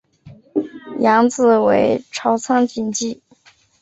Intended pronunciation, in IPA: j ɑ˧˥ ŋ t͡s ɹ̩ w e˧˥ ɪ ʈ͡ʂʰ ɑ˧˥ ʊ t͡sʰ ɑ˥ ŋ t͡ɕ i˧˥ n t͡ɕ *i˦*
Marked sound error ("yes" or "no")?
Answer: yes